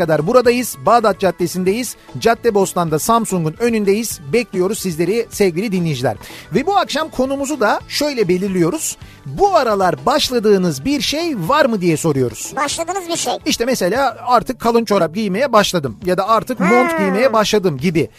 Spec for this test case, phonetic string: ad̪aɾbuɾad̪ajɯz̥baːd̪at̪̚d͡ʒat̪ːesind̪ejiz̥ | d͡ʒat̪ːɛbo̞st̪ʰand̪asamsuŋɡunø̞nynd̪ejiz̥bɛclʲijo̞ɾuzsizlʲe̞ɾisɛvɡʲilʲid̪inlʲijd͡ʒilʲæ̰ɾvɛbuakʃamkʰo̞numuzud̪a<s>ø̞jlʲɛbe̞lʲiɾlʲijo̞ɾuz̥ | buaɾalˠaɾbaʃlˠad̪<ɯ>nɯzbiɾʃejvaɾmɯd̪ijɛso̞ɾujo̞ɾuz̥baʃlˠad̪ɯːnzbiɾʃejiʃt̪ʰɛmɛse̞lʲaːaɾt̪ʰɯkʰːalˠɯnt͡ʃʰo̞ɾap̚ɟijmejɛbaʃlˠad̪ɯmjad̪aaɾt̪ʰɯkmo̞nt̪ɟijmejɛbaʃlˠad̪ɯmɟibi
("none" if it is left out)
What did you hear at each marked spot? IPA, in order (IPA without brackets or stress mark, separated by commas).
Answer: ʃ, ɯː